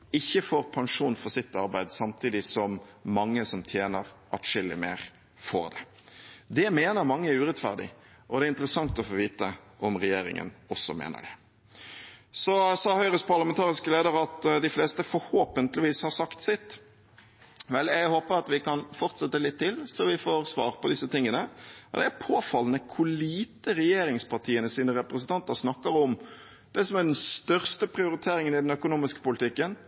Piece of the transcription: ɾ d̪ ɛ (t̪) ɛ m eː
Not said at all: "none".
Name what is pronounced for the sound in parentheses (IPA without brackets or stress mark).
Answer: d̪